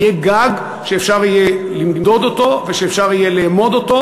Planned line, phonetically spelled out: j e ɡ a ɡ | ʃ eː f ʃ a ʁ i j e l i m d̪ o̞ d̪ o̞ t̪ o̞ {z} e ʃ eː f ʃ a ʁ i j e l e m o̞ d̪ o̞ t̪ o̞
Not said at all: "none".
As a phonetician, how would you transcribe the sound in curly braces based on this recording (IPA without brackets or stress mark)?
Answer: v